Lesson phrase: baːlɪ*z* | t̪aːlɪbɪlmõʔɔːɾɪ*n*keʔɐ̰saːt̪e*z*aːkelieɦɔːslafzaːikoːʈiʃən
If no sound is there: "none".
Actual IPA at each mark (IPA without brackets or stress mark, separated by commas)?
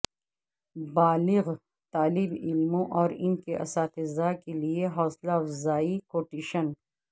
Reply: ɣ, n, z